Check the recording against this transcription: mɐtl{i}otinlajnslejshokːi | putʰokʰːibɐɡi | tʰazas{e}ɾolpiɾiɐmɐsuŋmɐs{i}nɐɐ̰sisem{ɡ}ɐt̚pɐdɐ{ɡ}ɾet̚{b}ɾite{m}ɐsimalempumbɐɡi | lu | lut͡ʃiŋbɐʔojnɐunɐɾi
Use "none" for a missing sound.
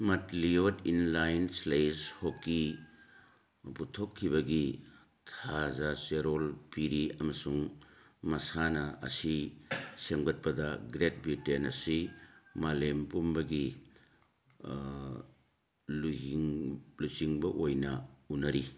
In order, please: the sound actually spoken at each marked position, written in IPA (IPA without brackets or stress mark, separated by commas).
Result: i, e, a, ɡ, ɡ, b, n